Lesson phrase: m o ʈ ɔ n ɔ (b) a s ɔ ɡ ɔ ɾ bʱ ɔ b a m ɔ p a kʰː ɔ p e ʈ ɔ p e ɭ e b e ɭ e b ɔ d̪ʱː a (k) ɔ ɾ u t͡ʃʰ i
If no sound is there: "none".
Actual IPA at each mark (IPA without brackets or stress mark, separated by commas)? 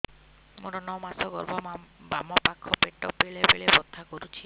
m, k